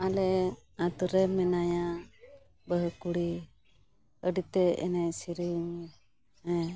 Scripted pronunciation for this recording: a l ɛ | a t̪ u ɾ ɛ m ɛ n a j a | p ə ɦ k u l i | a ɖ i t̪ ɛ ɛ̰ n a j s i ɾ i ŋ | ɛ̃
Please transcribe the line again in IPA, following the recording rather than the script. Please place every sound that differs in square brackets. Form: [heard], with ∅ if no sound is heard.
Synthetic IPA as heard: a l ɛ | a t̪ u ɾ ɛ m ɛ n a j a | [b] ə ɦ k u [ɽ] i | [ə] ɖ i t̪ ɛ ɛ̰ n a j s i ɾ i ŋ | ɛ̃